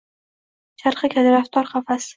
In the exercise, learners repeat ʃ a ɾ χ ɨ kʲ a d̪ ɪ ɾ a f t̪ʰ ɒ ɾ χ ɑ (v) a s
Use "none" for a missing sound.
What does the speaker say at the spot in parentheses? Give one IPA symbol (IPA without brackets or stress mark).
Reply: f